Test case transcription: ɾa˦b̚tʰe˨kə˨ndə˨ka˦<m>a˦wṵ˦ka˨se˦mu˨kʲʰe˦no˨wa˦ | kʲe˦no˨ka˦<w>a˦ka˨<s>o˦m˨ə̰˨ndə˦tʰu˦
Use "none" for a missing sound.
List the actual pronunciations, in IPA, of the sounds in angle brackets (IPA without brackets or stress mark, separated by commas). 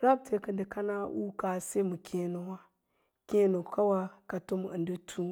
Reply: n, w, t